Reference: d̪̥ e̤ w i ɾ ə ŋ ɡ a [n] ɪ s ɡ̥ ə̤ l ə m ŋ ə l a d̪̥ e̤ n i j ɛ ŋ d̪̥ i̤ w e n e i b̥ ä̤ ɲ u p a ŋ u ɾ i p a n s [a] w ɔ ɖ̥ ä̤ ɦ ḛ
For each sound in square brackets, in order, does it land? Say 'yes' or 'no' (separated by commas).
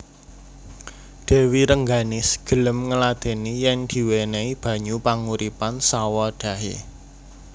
yes, yes